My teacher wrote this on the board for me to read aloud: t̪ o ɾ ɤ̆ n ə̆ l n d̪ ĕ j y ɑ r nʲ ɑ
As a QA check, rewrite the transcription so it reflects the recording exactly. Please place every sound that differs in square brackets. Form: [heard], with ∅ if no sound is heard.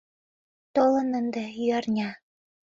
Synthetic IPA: t̪ o [l] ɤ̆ n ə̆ [∅] n d̪ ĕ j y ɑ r nʲ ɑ